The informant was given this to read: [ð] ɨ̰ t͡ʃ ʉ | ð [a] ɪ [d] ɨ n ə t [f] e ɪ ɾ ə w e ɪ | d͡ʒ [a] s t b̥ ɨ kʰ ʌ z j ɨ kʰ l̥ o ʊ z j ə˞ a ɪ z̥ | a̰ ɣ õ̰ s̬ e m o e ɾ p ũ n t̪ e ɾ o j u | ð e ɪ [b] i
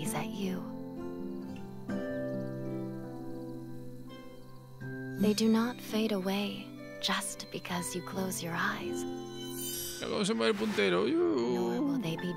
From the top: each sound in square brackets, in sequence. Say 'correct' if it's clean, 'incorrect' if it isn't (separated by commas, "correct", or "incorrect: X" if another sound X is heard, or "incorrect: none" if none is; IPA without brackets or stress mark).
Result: incorrect: z, incorrect: e, correct, correct, incorrect: ʌ, correct